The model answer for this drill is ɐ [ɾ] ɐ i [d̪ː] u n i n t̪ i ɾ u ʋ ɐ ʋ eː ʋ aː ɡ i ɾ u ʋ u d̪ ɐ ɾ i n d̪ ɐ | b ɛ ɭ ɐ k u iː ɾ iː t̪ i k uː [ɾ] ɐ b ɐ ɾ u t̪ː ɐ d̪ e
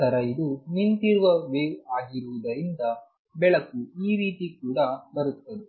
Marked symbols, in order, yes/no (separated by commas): yes, no, no